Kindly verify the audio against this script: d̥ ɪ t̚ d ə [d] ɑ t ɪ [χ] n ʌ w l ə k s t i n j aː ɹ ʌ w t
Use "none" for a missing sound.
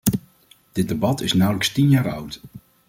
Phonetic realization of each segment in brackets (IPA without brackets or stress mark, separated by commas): b, s